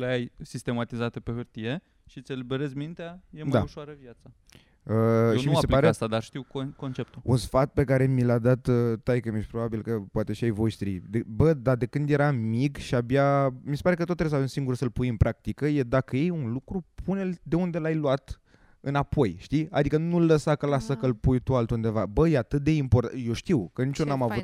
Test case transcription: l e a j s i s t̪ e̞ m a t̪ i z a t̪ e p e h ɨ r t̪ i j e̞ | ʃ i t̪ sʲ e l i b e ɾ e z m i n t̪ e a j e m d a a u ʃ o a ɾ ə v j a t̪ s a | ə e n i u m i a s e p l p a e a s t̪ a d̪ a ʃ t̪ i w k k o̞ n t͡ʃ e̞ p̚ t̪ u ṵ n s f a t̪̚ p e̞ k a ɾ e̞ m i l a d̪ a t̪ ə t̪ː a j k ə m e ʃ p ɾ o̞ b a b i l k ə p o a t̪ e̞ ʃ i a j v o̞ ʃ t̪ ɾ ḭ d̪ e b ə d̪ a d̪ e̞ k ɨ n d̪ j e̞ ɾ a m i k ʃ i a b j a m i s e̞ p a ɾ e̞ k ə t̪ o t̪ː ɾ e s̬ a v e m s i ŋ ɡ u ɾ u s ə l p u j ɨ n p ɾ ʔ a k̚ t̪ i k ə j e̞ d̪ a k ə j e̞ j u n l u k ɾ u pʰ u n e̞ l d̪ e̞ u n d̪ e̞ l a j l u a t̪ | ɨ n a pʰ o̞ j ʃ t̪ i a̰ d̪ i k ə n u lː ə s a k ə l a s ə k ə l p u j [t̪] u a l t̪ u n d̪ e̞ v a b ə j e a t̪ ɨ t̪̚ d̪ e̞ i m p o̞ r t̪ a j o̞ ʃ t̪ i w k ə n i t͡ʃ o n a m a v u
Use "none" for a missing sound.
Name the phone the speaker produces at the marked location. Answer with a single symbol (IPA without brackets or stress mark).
t̪